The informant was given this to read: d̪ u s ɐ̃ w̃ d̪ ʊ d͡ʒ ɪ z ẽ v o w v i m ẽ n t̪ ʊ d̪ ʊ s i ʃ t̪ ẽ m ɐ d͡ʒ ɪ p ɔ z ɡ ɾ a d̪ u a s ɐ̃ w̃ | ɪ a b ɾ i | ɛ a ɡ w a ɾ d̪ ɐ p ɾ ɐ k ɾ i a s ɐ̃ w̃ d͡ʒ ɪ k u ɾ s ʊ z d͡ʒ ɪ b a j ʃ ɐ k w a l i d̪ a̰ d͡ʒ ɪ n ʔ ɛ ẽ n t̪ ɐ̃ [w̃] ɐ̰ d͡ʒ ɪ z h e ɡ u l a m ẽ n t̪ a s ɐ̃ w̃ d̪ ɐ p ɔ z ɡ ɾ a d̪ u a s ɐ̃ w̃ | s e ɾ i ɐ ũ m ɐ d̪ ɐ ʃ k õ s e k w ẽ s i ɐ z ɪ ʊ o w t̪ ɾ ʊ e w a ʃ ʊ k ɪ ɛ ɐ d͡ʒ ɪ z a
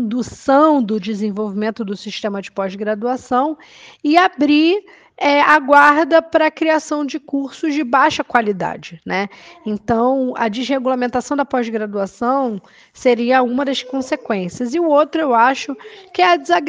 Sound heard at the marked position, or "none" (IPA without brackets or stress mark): w̃